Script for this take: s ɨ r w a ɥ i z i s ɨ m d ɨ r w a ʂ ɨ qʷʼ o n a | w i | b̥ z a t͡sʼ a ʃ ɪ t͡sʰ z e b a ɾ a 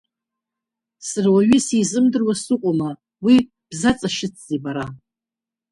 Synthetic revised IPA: s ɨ r w a ɥ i s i z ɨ m d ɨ r w a s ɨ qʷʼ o m a | w i | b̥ z a t͡sʼ a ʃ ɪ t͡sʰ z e b a ɾ a